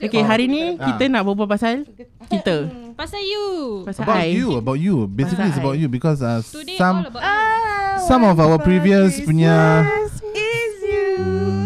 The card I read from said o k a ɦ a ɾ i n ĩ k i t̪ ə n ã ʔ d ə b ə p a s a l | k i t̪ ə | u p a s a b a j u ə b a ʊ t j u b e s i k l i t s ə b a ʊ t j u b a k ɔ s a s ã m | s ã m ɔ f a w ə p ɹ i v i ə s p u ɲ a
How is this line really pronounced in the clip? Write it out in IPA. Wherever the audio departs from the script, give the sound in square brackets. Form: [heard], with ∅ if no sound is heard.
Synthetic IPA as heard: o k [e] ɦ a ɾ i n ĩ k i t̪ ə n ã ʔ [b] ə b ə p a s a l | k i t̪ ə | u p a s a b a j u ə b a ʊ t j u b e s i k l i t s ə b a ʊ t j u b [i] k ɔ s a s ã m | s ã m ɔ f a w ə p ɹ i v i ə s p u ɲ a